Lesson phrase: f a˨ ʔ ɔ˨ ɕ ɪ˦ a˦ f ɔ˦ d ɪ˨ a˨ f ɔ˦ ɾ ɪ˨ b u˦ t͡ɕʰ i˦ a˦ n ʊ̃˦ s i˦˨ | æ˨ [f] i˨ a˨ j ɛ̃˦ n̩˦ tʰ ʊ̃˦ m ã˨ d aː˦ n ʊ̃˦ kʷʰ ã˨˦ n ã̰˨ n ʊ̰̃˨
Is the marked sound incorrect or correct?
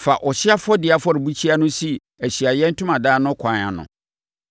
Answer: incorrect